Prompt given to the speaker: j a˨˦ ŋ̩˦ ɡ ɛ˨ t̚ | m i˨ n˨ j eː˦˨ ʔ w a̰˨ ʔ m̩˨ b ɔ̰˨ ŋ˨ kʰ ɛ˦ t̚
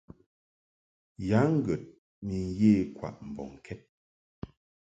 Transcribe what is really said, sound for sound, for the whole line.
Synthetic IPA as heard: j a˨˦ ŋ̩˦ ɡ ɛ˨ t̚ | m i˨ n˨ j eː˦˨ k w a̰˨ ʔ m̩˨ b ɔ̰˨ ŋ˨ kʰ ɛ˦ t̚